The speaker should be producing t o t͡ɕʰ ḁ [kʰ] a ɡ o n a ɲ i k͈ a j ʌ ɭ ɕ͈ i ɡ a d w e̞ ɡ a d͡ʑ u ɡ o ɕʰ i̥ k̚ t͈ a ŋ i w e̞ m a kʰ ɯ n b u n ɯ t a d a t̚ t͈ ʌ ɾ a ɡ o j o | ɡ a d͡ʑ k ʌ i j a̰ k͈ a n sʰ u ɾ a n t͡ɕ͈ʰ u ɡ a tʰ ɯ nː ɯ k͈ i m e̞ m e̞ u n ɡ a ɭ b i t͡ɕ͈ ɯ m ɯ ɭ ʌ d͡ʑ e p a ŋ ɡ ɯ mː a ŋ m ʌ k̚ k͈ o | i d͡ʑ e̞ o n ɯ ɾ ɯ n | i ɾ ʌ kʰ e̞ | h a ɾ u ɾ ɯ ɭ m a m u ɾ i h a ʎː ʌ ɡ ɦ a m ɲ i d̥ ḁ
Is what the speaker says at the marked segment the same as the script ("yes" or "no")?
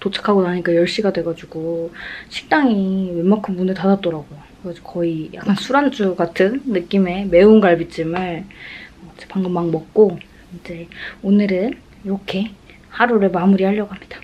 yes